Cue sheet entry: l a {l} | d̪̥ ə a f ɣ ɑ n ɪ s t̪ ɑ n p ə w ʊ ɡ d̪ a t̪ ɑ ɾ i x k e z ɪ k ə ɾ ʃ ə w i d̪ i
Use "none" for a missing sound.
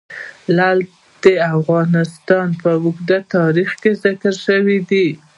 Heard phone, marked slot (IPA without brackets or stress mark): l